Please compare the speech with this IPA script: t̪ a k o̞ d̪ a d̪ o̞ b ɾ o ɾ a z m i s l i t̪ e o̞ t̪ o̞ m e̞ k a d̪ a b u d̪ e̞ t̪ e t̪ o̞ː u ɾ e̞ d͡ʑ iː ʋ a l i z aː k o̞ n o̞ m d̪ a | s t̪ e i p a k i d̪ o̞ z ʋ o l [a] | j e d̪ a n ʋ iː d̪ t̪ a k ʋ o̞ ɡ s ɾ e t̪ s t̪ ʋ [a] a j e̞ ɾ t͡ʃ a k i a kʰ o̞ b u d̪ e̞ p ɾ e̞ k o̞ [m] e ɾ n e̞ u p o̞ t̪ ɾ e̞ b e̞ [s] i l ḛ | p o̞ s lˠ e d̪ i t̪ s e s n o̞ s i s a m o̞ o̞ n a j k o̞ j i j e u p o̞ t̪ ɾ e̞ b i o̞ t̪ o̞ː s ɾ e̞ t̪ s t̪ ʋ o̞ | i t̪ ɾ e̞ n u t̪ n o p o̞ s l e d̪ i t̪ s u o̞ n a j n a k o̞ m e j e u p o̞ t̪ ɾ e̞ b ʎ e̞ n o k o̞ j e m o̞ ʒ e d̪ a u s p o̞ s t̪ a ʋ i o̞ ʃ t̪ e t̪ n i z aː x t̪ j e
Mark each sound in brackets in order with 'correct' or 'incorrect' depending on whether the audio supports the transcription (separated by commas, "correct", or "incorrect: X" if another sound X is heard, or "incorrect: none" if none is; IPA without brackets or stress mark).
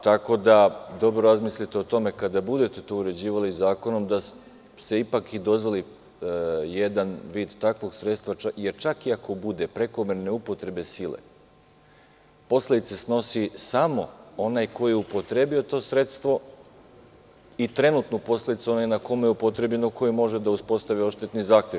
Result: incorrect: i, correct, correct, correct